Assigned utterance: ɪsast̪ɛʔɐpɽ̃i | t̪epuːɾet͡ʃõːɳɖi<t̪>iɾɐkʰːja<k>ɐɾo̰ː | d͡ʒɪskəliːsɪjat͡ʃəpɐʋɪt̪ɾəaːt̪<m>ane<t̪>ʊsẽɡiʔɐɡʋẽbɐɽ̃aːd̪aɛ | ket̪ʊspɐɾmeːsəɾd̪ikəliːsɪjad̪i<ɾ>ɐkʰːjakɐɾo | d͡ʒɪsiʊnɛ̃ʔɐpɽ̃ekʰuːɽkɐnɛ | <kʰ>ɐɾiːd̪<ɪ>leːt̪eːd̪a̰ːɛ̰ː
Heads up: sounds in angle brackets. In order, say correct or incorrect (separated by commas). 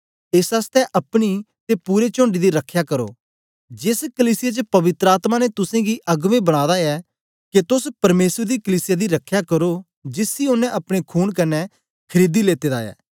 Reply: incorrect, correct, correct, correct, correct, correct, incorrect